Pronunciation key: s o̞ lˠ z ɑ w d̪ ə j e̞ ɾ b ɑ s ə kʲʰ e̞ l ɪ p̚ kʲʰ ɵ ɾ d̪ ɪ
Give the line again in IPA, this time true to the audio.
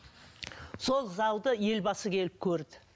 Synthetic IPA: s o̞ lˠ z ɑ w d̪ ə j e̞ l b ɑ s ə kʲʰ e̞ l ɪ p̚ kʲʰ ɵ ɾ d̪ ɪ

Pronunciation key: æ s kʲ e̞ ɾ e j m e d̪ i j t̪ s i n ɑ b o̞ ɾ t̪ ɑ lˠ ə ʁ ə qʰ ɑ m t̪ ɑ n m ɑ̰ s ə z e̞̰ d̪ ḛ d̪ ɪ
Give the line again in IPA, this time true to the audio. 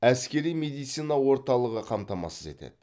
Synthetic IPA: æ s kʲ e̞ ɾ i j m e d̪ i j t̪ s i n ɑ w o̞ ɾ t̪ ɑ lˠ ə ʁ ə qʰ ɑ m t̪ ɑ m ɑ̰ s ə z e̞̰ t̪ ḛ d̪ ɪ

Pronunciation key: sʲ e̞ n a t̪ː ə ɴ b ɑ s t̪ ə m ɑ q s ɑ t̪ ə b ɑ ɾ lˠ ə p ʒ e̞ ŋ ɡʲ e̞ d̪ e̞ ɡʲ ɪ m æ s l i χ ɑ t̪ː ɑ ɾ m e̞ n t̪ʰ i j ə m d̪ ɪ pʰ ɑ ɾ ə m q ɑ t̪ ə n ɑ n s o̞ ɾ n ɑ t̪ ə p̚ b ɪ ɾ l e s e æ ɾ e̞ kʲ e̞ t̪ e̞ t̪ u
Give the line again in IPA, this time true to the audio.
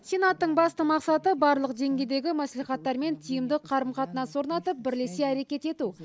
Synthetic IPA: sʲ e̞ n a t̪ː ə ɴ b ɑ s t̪ ə m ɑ q s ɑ t̪ ə b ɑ ɾ lˠ ə q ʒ e̞ ŋ ɡʲ e̞ d̪ e̞ ɡʲ ɪ m æ s l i χ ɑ t̪ː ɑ ɾ m e̞ n t̪ʰ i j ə m d̪ ɪ qʰ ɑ ɾ ə m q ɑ t̪ ə n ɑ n s o̞ ɾ n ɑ t̪ ə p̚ b ɪ ɾ l e s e æ ɾ e̞ kʲ e̞ t̪ e̞ t̪ u

